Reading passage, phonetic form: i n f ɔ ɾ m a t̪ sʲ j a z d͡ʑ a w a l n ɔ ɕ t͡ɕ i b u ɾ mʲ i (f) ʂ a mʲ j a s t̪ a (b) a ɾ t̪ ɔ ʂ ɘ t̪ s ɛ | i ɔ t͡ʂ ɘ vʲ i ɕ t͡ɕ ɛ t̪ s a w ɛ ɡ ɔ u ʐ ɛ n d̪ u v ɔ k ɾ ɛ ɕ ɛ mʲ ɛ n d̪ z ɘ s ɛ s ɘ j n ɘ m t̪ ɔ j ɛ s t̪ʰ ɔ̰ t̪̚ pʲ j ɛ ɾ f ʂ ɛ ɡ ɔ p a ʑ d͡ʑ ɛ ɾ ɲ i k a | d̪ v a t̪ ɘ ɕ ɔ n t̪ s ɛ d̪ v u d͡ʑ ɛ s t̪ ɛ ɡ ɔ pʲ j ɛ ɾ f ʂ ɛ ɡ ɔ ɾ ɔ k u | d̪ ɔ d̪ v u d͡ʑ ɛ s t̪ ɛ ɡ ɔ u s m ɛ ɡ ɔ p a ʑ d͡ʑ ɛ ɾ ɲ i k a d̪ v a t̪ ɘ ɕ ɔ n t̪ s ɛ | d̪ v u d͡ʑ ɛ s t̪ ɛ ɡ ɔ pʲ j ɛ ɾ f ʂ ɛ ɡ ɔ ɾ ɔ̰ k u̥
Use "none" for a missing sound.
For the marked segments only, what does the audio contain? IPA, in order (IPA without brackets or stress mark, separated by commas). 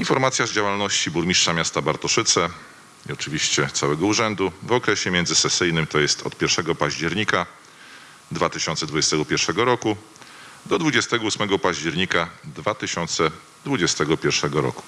ʂ, b